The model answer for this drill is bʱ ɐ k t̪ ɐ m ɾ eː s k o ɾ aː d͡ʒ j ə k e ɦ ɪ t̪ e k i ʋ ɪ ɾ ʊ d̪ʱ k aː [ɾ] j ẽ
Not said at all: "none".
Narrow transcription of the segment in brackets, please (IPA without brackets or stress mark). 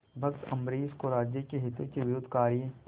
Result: ɾ